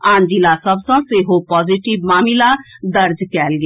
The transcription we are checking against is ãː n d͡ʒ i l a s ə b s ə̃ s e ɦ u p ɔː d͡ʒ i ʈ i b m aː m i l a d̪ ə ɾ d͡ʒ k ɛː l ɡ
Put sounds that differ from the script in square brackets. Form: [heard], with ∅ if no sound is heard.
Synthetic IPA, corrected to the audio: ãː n d͡ʒ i l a s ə b s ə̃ s e ɦ [o] p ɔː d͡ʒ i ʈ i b m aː m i l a d̪ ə ɾ d͡ʒ k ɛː l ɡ